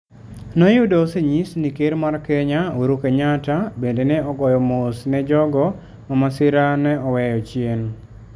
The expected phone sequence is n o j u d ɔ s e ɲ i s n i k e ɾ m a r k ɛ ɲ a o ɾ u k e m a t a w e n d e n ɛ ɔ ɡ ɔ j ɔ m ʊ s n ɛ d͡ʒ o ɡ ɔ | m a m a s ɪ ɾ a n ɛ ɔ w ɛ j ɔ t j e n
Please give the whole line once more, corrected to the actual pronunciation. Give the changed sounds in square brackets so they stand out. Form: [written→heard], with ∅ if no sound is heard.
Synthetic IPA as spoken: n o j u d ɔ s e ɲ i s n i k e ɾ m a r k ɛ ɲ a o ɾ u k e [m→ɲ] a t a [w→b] e n d e n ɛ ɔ ɡ ɔ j ɔ m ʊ s n ɛ d͡ʒ [o→ɔ] ɡ ɔ | m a m a s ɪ ɾ a n ɛ ɔ w ɛ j ɔ [t→t͡ʃ] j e n